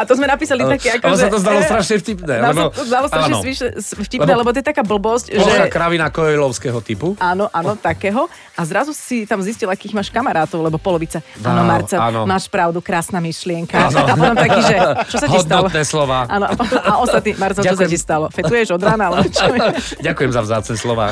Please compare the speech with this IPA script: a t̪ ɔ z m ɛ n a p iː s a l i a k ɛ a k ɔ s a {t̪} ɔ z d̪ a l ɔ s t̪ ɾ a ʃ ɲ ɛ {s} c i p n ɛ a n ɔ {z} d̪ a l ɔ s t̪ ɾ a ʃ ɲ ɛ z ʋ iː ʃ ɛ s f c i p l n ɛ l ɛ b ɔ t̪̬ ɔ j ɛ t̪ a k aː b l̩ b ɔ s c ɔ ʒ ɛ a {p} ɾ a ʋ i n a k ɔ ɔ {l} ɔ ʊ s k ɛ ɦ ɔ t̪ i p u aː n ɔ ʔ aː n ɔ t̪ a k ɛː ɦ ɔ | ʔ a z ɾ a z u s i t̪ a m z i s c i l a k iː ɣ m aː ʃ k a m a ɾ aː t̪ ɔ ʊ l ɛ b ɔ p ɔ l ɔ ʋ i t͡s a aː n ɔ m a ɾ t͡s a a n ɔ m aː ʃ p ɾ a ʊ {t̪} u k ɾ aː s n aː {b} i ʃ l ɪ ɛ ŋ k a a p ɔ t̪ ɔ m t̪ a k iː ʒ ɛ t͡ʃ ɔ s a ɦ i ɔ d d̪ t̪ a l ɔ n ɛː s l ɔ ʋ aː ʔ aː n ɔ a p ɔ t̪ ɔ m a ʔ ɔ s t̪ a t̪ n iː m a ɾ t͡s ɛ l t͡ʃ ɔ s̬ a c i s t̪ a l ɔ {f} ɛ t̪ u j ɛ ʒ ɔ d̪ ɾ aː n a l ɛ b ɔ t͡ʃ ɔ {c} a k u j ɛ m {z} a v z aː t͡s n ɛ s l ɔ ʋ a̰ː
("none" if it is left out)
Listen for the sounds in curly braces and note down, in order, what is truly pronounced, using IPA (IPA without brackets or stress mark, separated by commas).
t̪, f, z, k, l, d̪, m, f, ɟ, z